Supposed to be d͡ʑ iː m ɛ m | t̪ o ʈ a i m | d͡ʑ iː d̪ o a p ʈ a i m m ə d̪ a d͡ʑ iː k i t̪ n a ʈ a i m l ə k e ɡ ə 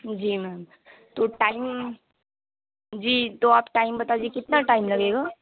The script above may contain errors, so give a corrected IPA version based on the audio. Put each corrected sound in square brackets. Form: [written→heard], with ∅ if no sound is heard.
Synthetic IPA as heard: d͡ʑ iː m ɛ m | t̪ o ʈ a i m | d͡ʑ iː [d̪→t̪] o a p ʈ a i m [m→b] ə [d̪→t̪] a d͡ʑ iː k i t̪ n a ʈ a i m l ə [k→ɡ] e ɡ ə